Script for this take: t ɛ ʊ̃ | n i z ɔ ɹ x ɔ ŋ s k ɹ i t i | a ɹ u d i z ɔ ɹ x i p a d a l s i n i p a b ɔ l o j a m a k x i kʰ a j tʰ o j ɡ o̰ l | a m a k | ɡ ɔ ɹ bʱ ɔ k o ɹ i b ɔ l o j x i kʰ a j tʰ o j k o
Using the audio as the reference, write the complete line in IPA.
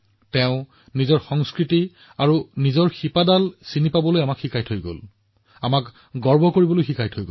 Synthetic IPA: t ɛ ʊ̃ | n i z ɔ ɹ x ɔ ŋ s k ɹ i t i | a ɹ u n i z ɔ ɹ x i p a d a l s i n i p a b ɔ l o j a m a k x i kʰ a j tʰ o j ɡ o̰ l | a m a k | ɡ ɔ ɹ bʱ ɔ k o ɹ i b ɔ l o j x i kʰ a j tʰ o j ɡ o

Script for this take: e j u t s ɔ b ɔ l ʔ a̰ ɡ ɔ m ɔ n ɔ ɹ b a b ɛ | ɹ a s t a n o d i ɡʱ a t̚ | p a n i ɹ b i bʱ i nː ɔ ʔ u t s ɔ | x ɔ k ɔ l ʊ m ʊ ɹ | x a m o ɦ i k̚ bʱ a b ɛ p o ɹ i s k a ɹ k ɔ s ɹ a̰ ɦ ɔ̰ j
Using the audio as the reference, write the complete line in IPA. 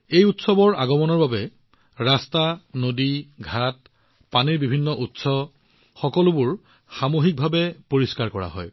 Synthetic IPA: e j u t s ɔ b ɔ ɹ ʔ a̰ ɡ ɔ m ɔ n ɔ ɹ b a b ɛ | ɹ a s t a n o d i ɡʱ a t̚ | p a n i ɹ b i bʱ i nː ɔ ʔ u t s ɔ | x ɔ k ɔ l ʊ b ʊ ɹ | x a m o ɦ i k̚ bʱ a b ɛ p o ɹ i s k a ɹ k ɔ ɹ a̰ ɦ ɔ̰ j

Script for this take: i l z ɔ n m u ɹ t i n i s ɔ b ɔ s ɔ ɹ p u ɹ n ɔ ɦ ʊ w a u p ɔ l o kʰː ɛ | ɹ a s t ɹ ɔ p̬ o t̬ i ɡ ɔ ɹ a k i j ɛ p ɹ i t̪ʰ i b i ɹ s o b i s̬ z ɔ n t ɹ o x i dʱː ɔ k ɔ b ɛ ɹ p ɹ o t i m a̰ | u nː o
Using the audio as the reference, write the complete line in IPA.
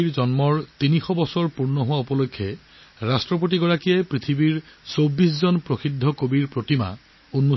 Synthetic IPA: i ɹ z ɔ n m ɔ ɹ t i n i x ɔ b ɔ s ɔ ɹ p u ɹ n ɔ ɦ ʊ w a u p ɔ l o kʰː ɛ | ɹ a s t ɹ ɔ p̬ o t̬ i ɡ ɔ ɹ a k i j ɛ p ɹ i t̪ʰ i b i ɹ s o b i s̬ z ɔ n p ɹ o x i dʱː ɔ k o b i ɹ p ɹ o t i m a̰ | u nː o

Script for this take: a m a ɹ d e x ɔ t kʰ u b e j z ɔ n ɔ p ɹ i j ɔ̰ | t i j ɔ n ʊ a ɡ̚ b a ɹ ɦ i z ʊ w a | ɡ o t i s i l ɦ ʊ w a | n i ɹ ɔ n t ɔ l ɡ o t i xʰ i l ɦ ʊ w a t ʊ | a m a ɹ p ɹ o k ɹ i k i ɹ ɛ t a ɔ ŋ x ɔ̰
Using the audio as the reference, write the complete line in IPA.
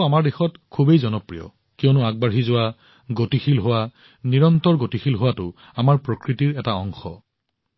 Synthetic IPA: a m a ɹ d e x ɔ t kʰ u b e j z ɔ n ɔ p ɹ i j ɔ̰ | k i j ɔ n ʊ a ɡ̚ b a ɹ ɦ i z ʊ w a | ɡ o t i x i l ɦ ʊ w a | n i ɹ ɔ n t ɔ ɹ ɡ o t i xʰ i l ɦ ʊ w a t ʊ | a m a ɹ p ɹ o k ɹ i t i ɹ ɛ t a ɔ ŋ x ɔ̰

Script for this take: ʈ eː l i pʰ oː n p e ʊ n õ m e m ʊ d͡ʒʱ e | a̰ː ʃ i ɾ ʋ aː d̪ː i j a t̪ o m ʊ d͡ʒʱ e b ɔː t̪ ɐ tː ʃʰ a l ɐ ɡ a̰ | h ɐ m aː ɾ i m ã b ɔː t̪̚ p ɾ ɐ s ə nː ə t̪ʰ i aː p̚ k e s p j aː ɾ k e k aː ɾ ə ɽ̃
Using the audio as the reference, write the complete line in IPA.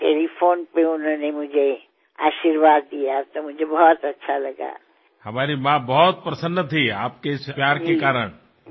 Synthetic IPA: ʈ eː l i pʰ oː n p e ʊ n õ n e m ʊ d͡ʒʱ e | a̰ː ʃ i ɾ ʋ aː d̪ː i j a t̪ o m ʊ d͡ʒʱ e b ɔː t̪ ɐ tː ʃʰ a l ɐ ɡ a̰ | h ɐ m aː ɾ i m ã b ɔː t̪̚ p ɾ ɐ s ə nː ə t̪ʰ i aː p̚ k e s p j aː ɾ k e k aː ɾ ə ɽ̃

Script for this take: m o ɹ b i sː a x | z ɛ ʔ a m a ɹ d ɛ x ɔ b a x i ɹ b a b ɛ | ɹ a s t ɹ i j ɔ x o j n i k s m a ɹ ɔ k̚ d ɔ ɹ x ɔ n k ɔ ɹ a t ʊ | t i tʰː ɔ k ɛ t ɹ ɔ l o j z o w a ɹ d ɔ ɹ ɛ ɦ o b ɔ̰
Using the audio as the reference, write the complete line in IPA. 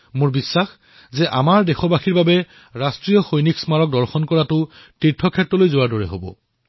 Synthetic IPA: m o ɹ b i sː a x | z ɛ ʔ a m a ɹ d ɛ x ɔ b a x i ɹ b a b ɛ | ɹ a s t ɹ i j ɔ x o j n i k s m a ɹ ɔ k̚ d ɔ ɹ x ɔ n k ɔ ɹ a t ʊ | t i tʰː ɔ kʰ ɛ t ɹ ɔ l o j z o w a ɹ d ɔ ɹ ɛ ɦ o b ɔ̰

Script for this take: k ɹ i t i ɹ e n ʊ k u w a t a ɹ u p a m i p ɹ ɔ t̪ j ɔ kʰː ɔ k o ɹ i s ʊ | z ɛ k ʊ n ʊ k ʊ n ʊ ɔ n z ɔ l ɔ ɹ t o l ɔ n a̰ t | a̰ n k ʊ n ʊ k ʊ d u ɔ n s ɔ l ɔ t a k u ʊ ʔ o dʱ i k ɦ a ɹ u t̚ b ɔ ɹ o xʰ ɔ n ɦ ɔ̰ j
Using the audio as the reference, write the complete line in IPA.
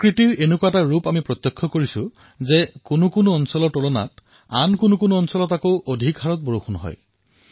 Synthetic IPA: k ɹ i t i ɹ e n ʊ k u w a t a ɹ u p a m i p ɹ ɔ t̪ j ɔ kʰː ɔ k o ɹ i s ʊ | z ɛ k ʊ n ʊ k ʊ n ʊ ɔ n s ɔ l ɔ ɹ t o l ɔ n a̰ t | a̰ n k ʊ n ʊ k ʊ n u ɔ n s ɔ l ɔ t a k o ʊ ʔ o dʱ i k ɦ a ɹ ɔ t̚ b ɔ ɹ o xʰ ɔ n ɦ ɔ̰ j

